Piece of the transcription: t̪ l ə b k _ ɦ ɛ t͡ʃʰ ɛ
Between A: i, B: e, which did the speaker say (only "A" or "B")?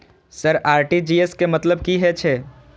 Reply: A